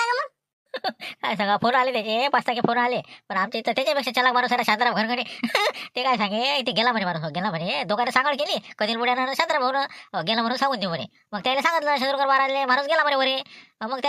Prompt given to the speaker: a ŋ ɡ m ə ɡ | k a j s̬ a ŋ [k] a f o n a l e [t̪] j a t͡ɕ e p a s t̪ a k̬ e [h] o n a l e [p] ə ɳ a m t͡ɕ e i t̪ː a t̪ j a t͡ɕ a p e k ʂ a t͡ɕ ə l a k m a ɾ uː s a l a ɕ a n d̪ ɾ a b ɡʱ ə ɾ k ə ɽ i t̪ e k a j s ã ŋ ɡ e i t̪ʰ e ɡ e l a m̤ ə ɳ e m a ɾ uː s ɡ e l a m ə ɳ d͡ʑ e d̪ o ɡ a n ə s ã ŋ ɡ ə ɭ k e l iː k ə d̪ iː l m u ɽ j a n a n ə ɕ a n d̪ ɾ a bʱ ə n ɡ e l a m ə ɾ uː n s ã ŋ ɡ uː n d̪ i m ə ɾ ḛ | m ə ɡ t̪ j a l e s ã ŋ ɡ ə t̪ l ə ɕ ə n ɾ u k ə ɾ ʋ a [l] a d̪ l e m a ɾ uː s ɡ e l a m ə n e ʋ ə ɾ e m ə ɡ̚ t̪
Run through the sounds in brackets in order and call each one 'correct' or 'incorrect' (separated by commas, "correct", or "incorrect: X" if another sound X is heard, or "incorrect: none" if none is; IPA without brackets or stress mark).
incorrect: ɡ, correct, incorrect: f, correct, incorrect: ɾ